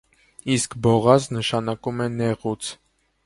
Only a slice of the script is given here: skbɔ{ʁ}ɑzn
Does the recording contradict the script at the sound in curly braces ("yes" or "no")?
no